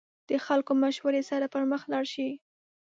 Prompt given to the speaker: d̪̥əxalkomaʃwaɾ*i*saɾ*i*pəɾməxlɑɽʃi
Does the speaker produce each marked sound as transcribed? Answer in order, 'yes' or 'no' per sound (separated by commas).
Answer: no, no